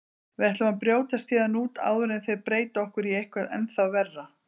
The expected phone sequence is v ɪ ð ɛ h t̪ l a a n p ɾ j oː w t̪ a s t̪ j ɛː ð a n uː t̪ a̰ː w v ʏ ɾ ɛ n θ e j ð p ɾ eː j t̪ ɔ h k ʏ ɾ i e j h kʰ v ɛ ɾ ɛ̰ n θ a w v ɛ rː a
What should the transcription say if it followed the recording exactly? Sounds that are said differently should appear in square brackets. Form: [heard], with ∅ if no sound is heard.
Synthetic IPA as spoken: v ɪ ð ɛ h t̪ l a a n p ɾ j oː w t̪ a s t̪ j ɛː ð a n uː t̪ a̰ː w [ð] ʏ ɾ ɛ n θ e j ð p ɾ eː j t̪ ɔ h k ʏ ɾ i e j h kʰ v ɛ ɾ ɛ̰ n θ a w v ɛ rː a